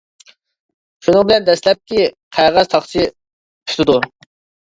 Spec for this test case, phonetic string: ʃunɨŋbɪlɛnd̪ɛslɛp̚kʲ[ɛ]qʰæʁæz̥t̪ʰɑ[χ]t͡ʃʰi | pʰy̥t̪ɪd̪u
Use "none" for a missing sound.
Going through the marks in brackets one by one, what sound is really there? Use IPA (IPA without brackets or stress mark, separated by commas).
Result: i, χ